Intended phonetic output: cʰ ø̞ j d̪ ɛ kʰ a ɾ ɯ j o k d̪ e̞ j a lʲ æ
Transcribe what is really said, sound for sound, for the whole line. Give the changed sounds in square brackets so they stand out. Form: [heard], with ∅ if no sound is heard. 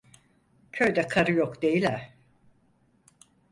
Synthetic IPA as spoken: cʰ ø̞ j d̪ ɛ kʰ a ɾ ɯ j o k d̪ e̞ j [i] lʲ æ